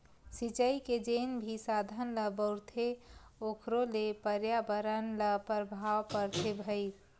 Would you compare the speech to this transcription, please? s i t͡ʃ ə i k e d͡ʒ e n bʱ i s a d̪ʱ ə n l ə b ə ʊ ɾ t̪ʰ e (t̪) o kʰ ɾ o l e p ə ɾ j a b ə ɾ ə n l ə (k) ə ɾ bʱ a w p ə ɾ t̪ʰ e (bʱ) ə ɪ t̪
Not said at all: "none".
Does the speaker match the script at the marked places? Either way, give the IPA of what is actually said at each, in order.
none, p, bʱ

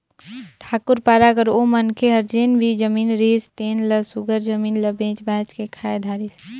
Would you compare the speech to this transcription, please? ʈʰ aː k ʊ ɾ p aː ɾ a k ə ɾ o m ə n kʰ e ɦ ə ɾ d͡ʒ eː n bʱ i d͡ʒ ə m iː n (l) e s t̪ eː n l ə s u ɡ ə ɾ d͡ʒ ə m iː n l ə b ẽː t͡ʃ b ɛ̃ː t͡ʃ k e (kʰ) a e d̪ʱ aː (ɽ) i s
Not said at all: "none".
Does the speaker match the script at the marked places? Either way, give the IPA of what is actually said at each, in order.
ɾ, kʰ, ɾ

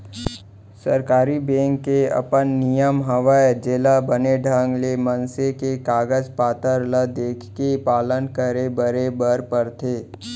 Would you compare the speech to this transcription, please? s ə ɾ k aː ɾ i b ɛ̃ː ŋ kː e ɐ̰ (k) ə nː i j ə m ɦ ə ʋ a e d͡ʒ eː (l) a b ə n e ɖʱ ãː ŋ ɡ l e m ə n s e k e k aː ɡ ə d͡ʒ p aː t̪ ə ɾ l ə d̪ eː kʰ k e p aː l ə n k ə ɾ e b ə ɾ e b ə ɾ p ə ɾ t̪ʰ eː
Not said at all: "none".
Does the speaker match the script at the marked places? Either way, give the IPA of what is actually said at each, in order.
p, l

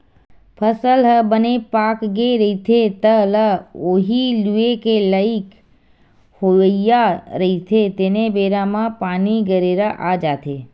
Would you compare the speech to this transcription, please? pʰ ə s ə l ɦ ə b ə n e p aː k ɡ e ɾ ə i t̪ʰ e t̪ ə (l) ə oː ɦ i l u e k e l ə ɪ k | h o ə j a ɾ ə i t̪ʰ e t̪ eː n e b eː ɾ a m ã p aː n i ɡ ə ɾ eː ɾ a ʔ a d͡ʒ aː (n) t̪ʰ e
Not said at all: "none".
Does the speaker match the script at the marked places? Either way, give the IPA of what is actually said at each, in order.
l, none

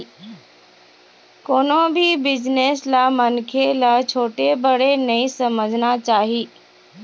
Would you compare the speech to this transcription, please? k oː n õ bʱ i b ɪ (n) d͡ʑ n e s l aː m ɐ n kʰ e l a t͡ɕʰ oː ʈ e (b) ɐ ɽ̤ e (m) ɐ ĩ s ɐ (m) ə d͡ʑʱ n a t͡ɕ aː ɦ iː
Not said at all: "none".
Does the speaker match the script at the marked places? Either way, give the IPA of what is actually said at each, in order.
none, b, n, m

